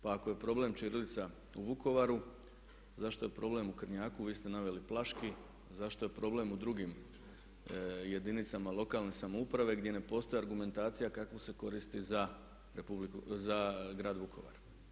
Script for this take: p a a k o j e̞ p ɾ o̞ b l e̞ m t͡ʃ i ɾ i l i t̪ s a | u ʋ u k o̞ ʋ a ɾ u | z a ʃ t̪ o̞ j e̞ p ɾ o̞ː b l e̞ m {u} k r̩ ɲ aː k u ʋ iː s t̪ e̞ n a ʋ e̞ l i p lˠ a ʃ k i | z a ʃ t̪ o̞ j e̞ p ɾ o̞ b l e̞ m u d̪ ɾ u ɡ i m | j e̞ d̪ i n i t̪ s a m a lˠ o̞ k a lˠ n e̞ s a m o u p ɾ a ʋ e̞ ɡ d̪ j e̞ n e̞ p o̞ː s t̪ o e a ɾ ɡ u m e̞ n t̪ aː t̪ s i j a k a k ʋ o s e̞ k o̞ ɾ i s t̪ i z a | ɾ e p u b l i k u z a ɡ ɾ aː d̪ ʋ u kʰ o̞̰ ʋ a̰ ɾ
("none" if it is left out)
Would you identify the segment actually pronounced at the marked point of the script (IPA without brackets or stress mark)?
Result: u